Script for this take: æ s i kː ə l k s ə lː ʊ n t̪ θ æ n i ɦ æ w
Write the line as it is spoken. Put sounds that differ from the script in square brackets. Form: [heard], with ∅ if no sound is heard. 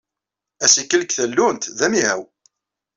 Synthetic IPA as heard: æ s i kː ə l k [θ] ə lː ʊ n t̪ [ð] æ [m] i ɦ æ w